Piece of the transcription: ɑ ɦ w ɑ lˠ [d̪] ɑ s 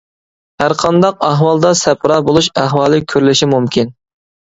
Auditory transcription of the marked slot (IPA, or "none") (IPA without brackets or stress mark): d̪